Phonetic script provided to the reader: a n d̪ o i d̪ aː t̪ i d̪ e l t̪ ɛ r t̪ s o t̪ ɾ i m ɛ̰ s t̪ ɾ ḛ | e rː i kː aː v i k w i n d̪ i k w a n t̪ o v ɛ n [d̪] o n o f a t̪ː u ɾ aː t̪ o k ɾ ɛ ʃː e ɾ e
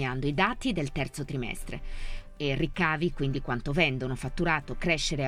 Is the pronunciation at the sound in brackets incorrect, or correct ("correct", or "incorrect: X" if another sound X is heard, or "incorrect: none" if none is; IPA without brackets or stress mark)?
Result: correct